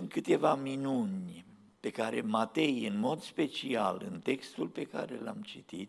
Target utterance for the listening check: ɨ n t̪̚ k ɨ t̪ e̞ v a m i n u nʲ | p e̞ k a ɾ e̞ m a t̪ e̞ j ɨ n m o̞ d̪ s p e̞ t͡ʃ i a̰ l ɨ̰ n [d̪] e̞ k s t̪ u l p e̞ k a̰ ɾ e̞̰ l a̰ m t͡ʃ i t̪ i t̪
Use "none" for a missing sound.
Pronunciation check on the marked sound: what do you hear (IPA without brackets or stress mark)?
t̪